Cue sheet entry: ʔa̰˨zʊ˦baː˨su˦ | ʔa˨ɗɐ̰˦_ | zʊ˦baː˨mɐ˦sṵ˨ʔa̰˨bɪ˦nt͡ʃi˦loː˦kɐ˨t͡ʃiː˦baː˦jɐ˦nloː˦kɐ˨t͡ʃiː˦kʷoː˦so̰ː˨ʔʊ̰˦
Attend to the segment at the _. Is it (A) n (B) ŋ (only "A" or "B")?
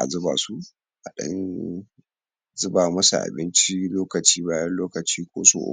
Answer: A